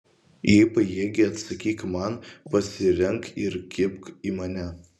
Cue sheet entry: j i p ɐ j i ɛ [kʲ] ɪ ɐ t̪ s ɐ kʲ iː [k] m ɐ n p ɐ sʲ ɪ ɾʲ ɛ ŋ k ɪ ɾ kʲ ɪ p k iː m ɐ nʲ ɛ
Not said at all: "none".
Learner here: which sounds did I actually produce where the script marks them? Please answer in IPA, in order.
ɡʲ, k

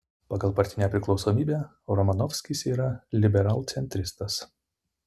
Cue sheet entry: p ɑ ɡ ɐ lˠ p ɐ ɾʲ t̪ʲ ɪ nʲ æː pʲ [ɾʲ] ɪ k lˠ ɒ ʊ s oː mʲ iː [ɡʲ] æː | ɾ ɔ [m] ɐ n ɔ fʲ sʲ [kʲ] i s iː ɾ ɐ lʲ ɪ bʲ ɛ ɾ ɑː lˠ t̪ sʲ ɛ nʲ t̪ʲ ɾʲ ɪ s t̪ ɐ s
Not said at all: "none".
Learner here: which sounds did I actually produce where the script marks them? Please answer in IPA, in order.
ɾʲ, bʲ, m, kʲ

